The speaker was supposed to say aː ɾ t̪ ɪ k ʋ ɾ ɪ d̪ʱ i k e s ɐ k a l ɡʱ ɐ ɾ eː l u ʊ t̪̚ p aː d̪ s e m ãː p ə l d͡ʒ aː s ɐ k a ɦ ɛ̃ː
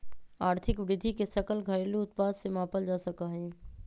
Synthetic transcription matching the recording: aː ɾ t̪ʰ ɪ k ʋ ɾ ɪ d̪ʱ i k e s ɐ k ə l ɡʱ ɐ ɾ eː l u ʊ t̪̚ p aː d̪ s e m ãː p ə l d͡ʒ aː s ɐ k a ɦ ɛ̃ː